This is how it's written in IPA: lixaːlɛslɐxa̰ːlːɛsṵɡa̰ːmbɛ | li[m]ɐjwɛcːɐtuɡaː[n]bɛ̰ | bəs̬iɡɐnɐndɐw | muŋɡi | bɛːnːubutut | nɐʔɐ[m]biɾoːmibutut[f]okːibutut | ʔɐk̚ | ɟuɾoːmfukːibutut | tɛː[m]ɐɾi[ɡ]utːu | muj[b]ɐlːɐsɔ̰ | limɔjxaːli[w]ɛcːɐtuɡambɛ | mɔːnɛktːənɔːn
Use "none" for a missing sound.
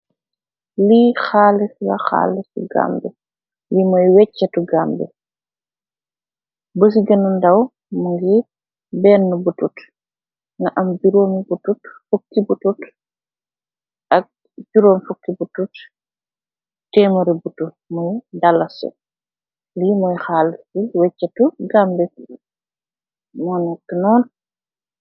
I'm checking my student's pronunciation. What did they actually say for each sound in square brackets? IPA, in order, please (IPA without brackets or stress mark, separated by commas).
m, m, m, f, m, b, d, w